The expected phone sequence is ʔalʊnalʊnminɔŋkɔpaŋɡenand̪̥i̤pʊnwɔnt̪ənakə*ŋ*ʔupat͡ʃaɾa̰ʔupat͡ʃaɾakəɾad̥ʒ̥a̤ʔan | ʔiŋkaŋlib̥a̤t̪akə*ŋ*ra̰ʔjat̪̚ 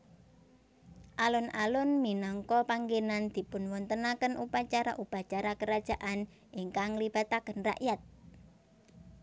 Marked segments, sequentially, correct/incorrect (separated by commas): incorrect, incorrect